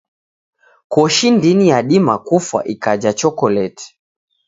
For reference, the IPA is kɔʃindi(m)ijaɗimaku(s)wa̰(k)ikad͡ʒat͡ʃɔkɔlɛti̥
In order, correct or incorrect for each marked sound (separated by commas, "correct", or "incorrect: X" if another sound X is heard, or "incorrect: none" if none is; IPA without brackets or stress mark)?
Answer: incorrect: n, incorrect: f, incorrect: ʔ